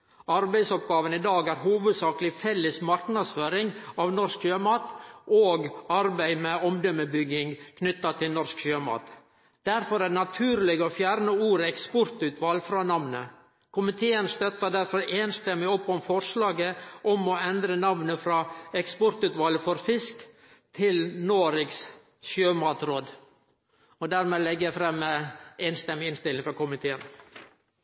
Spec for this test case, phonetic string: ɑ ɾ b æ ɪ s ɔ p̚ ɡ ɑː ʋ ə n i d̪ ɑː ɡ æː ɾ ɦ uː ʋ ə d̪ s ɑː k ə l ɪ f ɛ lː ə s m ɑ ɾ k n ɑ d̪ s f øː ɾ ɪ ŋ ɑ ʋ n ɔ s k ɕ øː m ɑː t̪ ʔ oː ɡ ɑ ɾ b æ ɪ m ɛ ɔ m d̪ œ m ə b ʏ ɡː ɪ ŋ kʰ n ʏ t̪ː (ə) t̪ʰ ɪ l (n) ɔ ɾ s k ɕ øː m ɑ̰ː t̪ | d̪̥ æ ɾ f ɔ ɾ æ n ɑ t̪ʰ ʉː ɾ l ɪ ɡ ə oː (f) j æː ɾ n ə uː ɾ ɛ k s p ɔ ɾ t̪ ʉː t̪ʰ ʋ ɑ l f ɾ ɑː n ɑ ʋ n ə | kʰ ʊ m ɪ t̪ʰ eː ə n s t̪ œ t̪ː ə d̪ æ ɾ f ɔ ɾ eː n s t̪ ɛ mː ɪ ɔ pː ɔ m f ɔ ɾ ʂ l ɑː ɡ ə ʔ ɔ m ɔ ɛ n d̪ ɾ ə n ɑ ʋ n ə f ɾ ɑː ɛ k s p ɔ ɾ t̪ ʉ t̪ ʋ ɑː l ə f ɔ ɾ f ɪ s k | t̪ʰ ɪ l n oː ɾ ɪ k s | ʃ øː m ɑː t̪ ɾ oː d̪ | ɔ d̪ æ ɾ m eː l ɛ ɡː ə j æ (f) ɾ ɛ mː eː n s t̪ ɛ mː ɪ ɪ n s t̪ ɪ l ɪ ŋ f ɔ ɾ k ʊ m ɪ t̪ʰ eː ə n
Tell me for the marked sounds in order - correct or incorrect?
incorrect: ɑ, correct, correct, correct

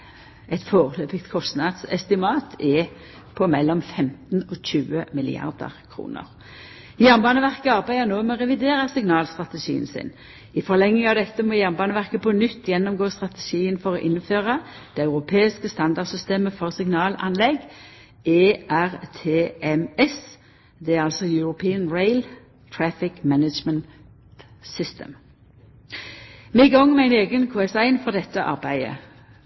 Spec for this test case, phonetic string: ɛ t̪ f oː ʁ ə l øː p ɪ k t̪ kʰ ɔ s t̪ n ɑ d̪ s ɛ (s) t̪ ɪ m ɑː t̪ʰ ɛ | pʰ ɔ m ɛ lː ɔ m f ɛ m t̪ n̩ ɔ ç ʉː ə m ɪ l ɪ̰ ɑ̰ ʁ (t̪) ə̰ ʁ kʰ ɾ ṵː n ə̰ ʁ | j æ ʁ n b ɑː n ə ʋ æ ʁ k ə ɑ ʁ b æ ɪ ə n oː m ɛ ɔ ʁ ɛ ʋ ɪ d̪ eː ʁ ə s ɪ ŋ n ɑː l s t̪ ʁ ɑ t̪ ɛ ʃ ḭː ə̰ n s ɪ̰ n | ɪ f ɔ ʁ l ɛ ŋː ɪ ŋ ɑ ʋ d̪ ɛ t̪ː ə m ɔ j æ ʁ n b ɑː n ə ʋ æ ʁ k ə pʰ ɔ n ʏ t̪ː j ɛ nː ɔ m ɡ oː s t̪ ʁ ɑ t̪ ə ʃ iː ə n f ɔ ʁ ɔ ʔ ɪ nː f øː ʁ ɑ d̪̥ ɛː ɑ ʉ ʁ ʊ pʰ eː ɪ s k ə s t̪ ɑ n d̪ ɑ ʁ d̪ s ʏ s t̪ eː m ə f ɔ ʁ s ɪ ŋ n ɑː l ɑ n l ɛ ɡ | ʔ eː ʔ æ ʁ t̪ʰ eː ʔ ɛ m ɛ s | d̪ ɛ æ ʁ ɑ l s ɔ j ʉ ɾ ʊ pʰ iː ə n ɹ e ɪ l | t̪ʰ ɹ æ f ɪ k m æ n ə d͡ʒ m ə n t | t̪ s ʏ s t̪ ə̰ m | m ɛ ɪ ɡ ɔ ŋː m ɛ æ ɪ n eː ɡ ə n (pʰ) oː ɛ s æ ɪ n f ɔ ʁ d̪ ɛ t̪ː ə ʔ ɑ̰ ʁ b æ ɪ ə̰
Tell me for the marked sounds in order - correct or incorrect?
correct, incorrect: d̪, incorrect: kʰ

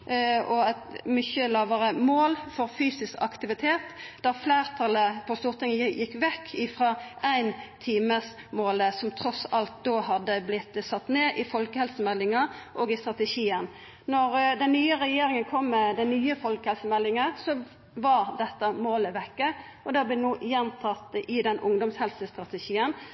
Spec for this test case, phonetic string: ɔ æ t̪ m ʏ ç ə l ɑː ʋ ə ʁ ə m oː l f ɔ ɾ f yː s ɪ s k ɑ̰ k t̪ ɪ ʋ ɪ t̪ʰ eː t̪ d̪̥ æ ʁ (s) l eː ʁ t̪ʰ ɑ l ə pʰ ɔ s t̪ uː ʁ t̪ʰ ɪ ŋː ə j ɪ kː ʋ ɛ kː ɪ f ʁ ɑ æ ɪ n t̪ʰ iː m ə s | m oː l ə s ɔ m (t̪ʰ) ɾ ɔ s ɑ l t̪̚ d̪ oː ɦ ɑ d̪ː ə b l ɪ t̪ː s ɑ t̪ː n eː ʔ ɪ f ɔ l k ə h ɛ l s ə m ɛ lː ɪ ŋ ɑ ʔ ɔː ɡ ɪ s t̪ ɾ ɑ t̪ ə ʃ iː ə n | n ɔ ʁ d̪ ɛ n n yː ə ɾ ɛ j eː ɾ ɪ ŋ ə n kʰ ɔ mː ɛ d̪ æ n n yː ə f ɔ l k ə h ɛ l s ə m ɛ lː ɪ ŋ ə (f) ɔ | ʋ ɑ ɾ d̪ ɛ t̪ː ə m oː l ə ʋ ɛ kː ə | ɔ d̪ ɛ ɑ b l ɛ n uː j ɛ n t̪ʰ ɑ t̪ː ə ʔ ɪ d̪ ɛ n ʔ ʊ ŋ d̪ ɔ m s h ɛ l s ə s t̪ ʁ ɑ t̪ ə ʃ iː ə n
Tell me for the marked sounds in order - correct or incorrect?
incorrect: f, correct, incorrect: s

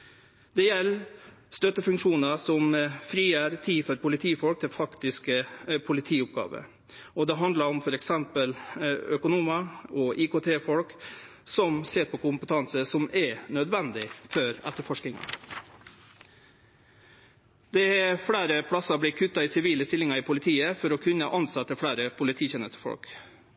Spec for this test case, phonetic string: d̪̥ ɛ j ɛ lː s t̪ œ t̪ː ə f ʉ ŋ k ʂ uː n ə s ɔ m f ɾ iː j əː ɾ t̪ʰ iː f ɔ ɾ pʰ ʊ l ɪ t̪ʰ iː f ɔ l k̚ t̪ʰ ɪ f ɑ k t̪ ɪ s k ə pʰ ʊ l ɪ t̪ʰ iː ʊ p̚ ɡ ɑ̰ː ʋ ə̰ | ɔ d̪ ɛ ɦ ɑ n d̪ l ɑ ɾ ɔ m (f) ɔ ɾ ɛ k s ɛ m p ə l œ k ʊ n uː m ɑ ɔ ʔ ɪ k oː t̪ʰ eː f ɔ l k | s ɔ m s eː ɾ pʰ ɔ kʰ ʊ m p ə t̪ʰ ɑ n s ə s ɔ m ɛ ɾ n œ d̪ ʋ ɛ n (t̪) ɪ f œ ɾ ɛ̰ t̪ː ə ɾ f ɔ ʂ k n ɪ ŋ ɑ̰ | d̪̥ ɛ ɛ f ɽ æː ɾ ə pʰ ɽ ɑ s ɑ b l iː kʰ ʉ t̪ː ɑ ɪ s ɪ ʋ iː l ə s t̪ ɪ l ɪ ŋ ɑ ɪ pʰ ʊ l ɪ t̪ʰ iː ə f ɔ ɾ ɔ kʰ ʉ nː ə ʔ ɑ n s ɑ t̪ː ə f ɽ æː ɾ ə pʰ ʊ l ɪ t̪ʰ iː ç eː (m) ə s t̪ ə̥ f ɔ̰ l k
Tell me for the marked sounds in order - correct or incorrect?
correct, incorrect: d̪, incorrect: n

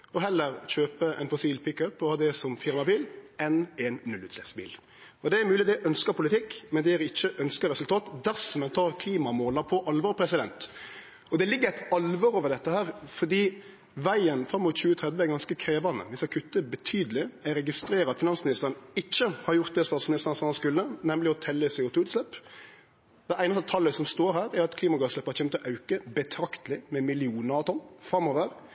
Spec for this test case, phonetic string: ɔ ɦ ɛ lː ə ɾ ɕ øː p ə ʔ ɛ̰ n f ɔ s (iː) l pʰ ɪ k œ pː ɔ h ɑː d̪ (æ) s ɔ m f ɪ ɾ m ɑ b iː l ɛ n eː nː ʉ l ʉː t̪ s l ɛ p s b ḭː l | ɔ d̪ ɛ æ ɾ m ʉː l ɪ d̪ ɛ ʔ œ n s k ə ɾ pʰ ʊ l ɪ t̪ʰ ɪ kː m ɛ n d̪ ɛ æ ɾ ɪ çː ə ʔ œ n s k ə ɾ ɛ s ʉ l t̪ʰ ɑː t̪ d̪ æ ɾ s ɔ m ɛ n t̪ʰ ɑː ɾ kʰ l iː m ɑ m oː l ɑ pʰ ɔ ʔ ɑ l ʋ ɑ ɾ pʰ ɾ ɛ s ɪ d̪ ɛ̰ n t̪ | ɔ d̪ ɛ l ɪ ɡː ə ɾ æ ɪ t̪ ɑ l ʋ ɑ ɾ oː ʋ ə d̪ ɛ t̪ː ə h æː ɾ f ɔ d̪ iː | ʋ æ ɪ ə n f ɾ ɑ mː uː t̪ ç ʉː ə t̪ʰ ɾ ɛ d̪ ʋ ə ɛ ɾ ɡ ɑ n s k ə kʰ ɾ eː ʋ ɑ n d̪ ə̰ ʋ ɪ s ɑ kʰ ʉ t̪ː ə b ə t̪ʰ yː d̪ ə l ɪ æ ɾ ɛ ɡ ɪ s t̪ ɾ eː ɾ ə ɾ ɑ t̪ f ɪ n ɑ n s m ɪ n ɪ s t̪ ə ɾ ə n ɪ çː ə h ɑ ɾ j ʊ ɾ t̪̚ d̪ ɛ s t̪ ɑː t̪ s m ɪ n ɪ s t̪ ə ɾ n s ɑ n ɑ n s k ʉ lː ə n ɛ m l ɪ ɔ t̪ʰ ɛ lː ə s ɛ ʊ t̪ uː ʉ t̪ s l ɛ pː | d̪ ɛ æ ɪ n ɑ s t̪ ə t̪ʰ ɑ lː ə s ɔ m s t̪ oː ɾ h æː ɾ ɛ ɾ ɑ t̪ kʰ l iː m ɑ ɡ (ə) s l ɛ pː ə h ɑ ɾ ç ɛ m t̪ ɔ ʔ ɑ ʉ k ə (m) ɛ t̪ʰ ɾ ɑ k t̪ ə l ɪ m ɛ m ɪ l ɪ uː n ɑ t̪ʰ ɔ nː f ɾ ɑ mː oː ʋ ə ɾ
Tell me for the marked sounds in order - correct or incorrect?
correct, incorrect: ɛ, incorrect: ɑ, incorrect: b

